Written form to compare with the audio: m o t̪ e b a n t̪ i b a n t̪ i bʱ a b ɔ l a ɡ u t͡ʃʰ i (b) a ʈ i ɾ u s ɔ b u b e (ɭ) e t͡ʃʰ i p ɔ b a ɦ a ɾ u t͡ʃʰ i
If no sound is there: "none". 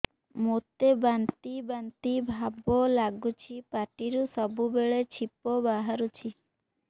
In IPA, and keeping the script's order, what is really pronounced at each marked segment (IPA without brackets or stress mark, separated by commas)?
p, ɭ